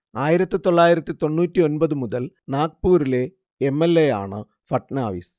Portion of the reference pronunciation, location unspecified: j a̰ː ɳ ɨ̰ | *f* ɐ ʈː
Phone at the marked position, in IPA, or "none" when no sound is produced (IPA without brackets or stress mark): f